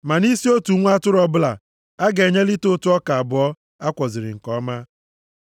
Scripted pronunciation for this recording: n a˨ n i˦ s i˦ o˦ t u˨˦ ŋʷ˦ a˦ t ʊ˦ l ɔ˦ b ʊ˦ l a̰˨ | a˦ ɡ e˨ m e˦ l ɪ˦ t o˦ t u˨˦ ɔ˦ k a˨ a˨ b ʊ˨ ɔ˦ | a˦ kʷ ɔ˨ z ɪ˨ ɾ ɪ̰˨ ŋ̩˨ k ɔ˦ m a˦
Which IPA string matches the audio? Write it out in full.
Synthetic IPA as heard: m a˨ n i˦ s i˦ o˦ t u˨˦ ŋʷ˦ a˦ t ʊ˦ ɾ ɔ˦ b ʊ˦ l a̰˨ | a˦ ɡ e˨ ɲ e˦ l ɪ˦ t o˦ t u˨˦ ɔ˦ k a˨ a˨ b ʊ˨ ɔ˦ | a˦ kʷ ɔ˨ z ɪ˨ ɾ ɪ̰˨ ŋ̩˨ k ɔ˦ m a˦